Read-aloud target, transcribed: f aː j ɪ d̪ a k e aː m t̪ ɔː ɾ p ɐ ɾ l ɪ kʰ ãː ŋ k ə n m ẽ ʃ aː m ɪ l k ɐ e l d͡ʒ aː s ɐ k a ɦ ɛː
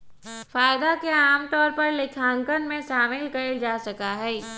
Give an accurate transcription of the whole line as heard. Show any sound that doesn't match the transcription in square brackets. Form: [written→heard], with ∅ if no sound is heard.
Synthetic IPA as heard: f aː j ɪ d̪ a k e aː m t̪ ɔː ɾ p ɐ ɾ l ɪ kʰ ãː ŋ k ə n m ẽ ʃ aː m ɪ l k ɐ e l d͡ʒ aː s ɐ k a ɦ ɛː